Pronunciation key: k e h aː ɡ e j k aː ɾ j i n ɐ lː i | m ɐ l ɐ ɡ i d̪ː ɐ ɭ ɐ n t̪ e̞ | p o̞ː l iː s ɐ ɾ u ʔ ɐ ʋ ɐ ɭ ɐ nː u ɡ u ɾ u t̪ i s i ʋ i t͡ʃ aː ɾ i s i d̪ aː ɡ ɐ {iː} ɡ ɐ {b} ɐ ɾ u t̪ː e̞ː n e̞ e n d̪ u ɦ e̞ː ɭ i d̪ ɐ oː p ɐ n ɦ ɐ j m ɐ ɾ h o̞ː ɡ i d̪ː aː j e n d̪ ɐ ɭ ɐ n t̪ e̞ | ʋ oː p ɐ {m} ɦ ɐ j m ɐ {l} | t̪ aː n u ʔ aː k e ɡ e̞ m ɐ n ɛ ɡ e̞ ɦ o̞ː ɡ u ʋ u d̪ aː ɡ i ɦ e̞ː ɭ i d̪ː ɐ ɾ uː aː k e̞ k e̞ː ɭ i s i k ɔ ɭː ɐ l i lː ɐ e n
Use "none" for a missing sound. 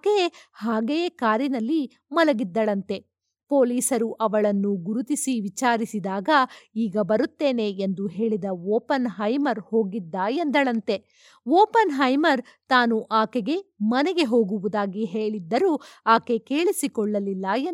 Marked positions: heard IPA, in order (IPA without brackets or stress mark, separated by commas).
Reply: iː, b, n, ɾ